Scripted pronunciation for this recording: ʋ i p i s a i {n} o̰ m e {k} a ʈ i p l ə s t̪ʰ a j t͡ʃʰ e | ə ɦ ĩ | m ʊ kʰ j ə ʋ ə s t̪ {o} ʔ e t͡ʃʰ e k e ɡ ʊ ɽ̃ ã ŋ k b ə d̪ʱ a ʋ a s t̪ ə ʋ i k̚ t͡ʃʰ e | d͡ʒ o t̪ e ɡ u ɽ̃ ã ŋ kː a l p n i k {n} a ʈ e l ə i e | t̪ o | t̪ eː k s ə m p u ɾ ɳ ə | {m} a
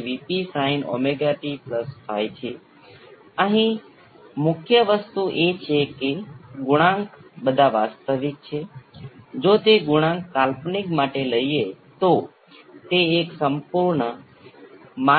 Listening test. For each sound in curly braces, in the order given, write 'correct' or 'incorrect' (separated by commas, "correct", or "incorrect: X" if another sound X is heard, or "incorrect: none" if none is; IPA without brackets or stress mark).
correct, incorrect: ɡ, incorrect: u, incorrect: m, correct